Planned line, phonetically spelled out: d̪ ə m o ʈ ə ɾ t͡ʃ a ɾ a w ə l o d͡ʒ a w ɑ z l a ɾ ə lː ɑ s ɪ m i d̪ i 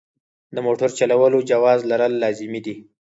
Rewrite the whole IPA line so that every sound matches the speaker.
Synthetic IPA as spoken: d̪ ə m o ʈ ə ɾ t͡ʃ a l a w ə l o d͡ʒ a w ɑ z l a ɾ ə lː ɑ z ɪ m i d̪ i

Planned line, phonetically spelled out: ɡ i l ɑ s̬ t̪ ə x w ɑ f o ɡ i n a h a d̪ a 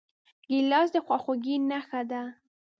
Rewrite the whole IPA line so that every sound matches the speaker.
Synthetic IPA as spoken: ɡ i l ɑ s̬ d̪ ə x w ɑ x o ɡ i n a x a d̪ a

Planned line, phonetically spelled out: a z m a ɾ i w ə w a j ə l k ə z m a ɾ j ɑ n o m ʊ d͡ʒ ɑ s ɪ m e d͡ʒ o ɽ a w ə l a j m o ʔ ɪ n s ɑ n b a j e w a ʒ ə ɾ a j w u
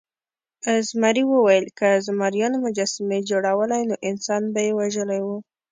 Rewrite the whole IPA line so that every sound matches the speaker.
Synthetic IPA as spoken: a z m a ɾ i w ə w a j ə l k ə z m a ɾ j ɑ n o m ʊ d͡ʒ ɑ s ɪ m e d͡ʒ o ɽ a w ə l a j n o ʔ ɪ n s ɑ n b a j e w a ʒ ə l a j w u

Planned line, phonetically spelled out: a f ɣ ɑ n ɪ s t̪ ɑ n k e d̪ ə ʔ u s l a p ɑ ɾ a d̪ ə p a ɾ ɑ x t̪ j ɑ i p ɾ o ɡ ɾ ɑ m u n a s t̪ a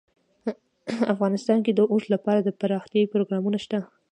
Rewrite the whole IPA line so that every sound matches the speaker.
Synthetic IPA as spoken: a f ɣ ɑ n ɪ s t̪ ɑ n k e d̪ ə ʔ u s l a p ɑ ɾ a d̪ ə p a ɾ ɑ x t̪ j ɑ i p ɾ o ɡ ɾ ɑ m u n a ʃ t̪ a

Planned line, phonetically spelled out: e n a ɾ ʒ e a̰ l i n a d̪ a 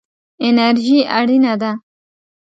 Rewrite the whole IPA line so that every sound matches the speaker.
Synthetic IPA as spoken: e n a ɾ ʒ i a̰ ɽ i n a d̪ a

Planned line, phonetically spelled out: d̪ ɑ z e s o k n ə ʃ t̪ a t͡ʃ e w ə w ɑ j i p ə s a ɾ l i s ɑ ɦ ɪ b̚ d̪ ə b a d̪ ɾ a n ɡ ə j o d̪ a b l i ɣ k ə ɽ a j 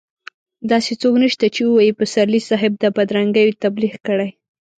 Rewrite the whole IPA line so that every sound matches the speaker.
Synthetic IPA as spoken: d̪ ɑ s e t͡s o k n ə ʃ t̪ a t͡ʃ e w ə w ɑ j i p ə s a ɾ l i s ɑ ɦ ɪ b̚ d̪ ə b a d̪ ɾ a ŋ ɡ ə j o t̪ a b l i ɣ k ə ɽ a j

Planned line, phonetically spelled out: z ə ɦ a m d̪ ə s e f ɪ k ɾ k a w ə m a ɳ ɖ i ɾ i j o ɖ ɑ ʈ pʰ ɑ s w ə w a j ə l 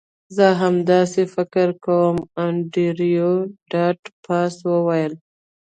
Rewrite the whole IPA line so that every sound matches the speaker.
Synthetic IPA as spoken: z ə ɦ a m d̪ ɑ s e f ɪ k ɾ k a w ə m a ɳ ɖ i ɾ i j o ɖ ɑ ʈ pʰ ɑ s w ə w a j ə l

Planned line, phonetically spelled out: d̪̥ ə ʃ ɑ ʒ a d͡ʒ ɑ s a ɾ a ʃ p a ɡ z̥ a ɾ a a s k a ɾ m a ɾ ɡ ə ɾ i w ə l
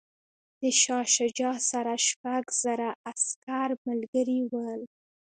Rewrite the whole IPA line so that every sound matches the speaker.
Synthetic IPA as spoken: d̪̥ ə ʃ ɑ ʃ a d͡ʒ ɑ s a ɾ a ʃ p a ɡ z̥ a ɾ a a s k a ɾ m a l ɡ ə ɾ i w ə l

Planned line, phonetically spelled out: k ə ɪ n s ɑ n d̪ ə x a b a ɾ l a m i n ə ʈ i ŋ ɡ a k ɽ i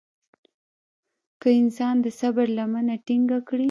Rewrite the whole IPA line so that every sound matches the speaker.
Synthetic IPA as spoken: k ə ɪ n s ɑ n d̪ ə s a b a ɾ l a m a n a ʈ i ŋ ɡ a k ɽ i

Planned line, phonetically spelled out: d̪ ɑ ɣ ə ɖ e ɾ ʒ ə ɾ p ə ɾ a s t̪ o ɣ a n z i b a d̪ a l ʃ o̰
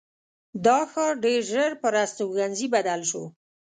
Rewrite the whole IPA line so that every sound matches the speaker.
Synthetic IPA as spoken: d̪ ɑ x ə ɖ e ɾ ʒ ə ɾ p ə ɾ a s t̪ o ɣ a n z i b a d̪ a l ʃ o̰

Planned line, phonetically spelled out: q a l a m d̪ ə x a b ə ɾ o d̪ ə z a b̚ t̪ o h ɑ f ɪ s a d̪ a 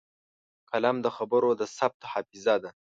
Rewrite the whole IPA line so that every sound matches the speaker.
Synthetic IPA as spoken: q a l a m d̪ ə x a b ə ɾ o d̪ ə s a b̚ t̪ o h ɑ f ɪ z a d̪ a

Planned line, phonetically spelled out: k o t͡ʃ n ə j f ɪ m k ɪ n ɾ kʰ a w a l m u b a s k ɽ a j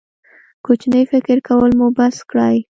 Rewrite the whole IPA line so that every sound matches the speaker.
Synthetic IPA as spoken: k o t͡ʃ n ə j f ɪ k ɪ ɾ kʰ a w ə l m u b a s k ɽ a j

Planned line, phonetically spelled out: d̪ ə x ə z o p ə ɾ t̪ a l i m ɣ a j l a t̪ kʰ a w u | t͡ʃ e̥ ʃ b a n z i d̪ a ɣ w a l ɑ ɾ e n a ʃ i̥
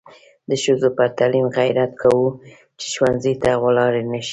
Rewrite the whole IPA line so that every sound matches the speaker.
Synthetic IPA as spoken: d̪ ə ʃ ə z o p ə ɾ t̪ a l i m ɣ a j ɾ a t̪ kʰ a w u | t͡ʃ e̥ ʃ w a n z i t̪ a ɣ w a l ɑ ɾ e n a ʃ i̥

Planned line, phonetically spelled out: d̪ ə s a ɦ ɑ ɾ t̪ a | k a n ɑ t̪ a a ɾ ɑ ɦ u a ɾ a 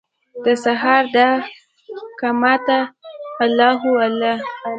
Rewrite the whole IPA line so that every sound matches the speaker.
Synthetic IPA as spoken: d̪ ə s a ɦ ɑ ɾ d̪ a | k a m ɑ t̪ a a l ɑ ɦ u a l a

